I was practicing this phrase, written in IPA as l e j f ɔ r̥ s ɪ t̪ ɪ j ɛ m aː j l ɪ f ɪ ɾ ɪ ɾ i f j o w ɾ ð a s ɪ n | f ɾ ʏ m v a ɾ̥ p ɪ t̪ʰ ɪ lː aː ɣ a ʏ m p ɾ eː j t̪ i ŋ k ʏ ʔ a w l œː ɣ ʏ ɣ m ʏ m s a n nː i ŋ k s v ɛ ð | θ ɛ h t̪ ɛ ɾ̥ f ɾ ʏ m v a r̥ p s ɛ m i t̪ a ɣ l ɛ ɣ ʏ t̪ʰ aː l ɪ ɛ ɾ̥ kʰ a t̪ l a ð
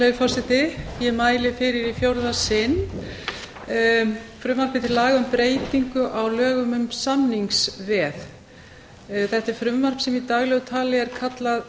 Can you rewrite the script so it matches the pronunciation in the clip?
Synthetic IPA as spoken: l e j f ɔ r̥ s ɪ t̪ ɪ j ɛ m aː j l ɪ f ɪ ɾ ɪ ɾ i f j o w ɾ ð a s ɪ n | f ɾ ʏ m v a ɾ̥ p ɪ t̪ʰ ɪ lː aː ɣ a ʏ m p ɾ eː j t̪ i ŋ k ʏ ʔ a w l œː ɣ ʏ m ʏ m s a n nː i ŋ k s v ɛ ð | θ ɛ h t̪ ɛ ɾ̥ f ɾ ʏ m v a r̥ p s ɛ m i t̪ a ɣ l ɛ ɣ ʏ t̪ʰ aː l ɪ ɛ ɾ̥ kʰ a t̪ l a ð